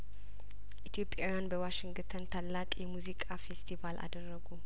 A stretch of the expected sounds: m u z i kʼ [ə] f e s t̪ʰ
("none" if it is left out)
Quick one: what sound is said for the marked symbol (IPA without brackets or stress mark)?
a